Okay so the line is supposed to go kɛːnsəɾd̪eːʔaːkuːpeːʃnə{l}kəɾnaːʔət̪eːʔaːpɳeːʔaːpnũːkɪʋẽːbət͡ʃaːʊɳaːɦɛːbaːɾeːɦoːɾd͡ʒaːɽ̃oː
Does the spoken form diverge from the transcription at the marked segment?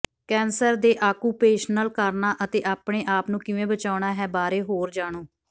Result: no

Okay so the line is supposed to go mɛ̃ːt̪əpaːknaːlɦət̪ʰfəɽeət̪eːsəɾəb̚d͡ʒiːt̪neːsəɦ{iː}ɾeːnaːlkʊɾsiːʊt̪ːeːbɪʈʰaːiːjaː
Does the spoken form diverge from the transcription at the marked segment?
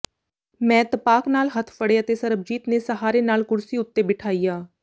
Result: yes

